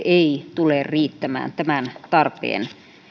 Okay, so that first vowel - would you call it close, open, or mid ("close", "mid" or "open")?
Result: mid